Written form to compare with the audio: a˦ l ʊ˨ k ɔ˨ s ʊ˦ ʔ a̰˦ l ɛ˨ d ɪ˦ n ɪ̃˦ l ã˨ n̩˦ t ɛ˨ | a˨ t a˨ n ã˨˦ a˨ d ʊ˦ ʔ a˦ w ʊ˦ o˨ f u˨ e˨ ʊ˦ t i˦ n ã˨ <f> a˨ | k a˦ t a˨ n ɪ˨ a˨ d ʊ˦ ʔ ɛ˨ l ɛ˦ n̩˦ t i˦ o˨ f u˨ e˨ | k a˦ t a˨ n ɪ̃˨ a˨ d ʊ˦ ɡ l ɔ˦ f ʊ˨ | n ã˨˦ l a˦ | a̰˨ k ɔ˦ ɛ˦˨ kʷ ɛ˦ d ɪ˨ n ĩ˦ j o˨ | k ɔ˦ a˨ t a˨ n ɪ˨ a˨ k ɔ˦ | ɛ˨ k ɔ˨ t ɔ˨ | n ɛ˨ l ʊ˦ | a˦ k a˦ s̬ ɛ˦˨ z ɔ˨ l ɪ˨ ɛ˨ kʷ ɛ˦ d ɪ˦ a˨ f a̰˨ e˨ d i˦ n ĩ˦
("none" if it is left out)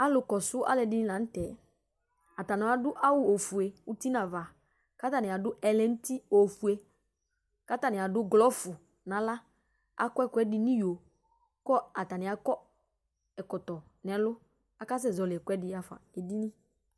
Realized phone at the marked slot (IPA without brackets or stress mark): v